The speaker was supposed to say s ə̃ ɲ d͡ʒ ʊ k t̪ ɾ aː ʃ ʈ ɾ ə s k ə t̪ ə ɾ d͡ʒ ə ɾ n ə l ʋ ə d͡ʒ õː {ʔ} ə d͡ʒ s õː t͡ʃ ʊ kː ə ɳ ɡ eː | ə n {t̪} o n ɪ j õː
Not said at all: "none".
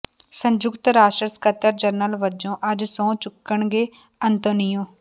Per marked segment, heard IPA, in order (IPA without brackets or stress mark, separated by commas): ʔ, t̪